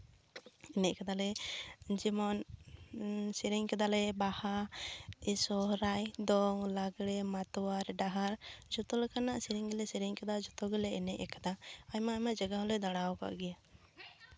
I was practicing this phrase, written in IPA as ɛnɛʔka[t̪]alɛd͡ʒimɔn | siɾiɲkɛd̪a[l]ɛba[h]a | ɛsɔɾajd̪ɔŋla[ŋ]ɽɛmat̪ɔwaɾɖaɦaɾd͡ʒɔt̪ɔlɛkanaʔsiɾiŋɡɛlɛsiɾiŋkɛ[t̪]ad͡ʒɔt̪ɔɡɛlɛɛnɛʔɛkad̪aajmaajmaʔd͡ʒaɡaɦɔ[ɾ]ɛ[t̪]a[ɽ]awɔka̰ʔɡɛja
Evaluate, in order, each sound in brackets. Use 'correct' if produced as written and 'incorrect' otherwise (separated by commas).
incorrect, correct, correct, incorrect, incorrect, incorrect, incorrect, correct